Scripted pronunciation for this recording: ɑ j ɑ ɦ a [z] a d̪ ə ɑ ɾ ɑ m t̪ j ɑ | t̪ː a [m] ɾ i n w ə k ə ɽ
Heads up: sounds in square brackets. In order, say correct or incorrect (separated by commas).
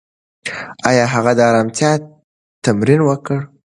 incorrect, correct